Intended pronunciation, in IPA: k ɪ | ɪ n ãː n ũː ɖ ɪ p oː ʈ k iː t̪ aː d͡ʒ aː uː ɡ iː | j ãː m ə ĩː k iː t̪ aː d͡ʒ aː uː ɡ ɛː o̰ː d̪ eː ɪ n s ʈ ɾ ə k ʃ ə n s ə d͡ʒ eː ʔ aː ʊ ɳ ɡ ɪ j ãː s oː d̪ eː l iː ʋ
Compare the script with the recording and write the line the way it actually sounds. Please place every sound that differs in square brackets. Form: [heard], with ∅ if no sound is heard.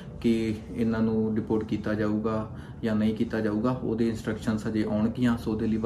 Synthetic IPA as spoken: k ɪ | ɪ n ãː n ũː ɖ ɪ p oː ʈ k iː t̪ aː d͡ʒ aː uː ɡ [aː] | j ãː [n] ə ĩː k iː t̪ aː d͡ʒ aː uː ɡ [aː] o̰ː d̪ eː ɪ n s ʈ ɾ ə k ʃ ə n s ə d͡ʒ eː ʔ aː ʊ ɳ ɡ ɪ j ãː s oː d̪ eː l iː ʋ